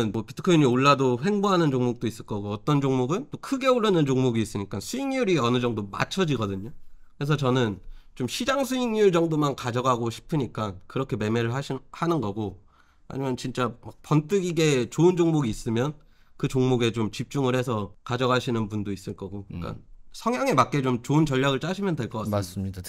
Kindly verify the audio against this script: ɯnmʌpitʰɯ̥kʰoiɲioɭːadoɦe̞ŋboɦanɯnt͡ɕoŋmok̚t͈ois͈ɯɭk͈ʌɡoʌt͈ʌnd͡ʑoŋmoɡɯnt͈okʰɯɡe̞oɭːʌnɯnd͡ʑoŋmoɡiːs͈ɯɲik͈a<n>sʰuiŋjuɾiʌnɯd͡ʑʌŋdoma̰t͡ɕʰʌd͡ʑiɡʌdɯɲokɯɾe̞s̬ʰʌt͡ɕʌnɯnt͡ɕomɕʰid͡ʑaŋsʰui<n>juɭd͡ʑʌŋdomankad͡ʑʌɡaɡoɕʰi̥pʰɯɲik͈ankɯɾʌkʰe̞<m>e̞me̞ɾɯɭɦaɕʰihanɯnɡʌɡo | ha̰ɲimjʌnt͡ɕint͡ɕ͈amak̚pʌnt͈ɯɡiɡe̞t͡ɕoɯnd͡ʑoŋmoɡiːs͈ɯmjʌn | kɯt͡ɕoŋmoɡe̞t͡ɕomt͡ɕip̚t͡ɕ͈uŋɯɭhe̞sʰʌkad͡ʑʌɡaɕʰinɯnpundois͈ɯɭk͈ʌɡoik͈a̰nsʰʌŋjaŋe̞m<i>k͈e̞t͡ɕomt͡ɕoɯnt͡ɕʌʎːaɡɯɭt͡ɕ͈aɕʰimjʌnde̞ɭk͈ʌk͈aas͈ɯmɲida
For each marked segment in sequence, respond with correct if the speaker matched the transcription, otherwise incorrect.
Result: correct, incorrect: ŋ, correct, incorrect: a

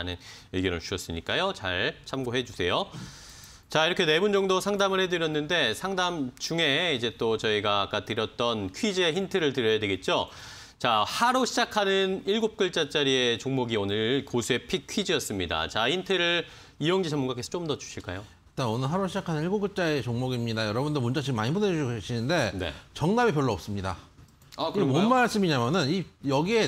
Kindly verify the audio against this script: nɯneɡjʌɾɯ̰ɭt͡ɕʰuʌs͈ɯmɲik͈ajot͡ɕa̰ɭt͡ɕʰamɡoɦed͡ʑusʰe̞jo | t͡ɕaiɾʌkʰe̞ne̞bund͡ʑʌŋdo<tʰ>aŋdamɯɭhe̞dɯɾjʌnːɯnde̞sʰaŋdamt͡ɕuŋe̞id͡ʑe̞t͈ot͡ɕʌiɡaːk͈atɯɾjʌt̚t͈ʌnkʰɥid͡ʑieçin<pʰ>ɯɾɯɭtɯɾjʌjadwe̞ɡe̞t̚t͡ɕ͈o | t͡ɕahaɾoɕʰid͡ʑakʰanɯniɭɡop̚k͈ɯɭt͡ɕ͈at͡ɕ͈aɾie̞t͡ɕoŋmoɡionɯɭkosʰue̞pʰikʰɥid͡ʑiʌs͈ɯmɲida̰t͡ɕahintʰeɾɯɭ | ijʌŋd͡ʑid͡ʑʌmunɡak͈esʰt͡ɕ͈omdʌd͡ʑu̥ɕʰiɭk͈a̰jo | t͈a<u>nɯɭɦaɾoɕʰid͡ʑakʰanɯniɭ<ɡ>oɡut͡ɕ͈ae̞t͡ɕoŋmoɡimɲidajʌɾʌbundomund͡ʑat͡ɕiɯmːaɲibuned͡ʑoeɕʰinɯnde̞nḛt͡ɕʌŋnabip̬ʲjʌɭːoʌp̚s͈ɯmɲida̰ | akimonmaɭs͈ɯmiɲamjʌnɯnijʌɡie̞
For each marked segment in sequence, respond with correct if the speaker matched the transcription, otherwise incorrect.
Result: incorrect: sʰ, incorrect: tʰ, incorrect: o, correct

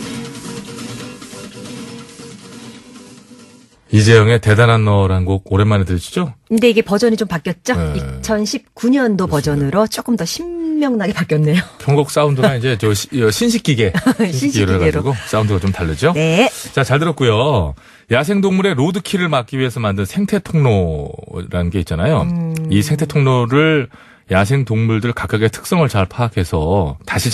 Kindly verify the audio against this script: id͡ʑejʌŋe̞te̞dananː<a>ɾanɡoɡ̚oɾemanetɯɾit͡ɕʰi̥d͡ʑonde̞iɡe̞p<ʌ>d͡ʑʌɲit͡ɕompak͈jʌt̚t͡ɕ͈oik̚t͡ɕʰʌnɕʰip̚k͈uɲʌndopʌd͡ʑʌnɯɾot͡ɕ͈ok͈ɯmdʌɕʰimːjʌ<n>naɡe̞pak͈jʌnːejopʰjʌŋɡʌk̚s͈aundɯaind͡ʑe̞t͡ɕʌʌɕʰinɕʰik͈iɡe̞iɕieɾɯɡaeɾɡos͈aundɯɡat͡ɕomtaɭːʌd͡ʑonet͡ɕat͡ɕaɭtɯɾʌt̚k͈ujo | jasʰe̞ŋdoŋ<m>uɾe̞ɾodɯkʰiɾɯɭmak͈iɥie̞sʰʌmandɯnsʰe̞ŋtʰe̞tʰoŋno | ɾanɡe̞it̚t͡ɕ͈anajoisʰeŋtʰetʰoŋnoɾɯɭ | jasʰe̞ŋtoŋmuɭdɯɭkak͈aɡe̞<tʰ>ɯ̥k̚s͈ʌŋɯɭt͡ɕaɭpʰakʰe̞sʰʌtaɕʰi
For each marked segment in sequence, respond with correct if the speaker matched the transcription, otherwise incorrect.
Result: incorrect: ʌ, correct, incorrect: ŋ, correct, correct

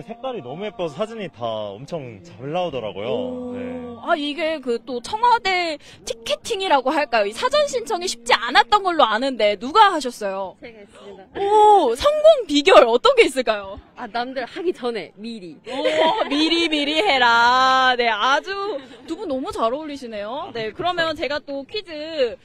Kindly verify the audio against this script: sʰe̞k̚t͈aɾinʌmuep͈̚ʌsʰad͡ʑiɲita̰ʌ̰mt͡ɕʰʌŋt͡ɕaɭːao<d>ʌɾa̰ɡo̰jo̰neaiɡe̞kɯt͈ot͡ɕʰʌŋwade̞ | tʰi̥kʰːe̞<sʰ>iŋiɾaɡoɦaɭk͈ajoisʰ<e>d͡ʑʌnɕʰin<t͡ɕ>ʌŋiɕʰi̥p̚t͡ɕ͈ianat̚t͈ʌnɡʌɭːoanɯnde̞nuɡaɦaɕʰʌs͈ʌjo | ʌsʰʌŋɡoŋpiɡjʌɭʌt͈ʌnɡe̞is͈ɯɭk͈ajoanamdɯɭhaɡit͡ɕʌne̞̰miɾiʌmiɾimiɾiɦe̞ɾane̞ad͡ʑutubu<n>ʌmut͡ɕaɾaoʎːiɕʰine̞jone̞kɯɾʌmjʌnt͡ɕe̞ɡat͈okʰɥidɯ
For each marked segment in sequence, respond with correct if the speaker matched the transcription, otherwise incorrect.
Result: correct, incorrect: tʰ, incorrect: a, incorrect: t͡ɕʰ, correct

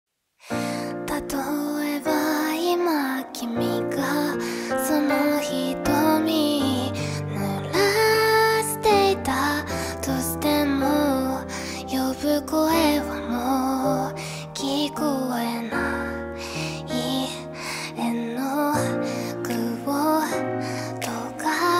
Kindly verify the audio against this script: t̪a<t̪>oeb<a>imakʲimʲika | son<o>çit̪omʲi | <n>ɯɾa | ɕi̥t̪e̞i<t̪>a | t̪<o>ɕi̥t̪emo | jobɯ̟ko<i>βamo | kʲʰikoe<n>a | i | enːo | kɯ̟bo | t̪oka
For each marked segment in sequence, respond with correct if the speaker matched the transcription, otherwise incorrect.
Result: correct, correct, correct, correct, correct, correct, incorrect: e, correct

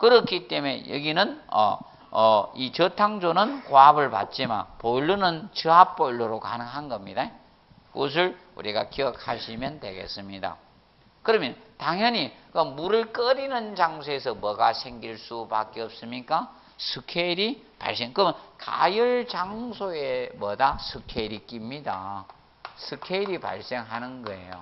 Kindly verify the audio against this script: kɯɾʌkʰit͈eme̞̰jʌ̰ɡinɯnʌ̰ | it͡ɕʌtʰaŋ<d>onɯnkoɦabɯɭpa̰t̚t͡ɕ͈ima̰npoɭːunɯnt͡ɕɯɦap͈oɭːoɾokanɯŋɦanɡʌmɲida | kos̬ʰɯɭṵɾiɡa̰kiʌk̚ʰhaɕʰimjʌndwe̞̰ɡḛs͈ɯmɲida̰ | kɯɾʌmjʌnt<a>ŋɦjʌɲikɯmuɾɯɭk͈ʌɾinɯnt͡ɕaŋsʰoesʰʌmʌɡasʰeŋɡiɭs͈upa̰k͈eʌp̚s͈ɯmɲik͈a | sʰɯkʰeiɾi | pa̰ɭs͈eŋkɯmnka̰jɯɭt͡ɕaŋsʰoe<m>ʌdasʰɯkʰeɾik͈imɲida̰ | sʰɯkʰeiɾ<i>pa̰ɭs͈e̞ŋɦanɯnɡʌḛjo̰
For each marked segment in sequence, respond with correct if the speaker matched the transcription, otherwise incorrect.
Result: incorrect: d͡ʑ, correct, correct, correct

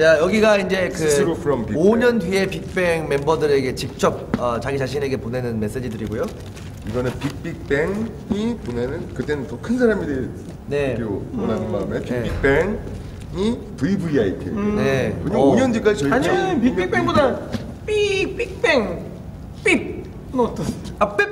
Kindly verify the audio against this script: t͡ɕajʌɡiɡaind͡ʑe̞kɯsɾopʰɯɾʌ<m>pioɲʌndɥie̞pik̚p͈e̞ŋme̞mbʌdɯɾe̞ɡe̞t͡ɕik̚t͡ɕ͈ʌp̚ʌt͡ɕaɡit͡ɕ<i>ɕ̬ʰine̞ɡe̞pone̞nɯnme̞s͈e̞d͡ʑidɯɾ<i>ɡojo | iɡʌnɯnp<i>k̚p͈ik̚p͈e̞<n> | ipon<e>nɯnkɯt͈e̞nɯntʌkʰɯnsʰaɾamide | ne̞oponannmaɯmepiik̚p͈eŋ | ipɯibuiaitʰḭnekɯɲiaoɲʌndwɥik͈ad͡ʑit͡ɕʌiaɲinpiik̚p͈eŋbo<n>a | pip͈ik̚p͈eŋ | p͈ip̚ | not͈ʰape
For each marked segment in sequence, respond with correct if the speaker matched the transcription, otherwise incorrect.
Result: correct, incorrect: a, correct, correct, incorrect: ŋ, correct, incorrect: d

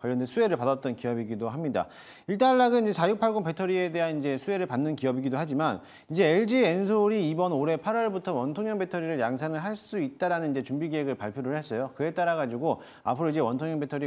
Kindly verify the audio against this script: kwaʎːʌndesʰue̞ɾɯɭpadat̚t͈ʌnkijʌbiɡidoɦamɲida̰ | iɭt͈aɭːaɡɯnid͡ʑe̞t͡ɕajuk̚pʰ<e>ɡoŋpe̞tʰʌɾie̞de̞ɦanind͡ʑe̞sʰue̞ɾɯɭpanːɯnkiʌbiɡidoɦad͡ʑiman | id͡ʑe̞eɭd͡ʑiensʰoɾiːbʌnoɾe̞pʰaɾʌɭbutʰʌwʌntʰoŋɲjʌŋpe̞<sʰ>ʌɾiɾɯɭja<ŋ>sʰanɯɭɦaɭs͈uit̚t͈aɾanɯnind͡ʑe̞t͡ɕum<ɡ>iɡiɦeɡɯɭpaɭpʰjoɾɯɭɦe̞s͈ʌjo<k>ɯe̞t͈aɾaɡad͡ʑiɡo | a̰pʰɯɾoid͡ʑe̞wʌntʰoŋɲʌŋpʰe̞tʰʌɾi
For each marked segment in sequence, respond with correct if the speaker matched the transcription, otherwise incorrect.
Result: incorrect: a, incorrect: tʰ, correct, incorrect: b, correct

